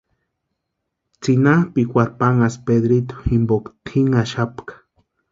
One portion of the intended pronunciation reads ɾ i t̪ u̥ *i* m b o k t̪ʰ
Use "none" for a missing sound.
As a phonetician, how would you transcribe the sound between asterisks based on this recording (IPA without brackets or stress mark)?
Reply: i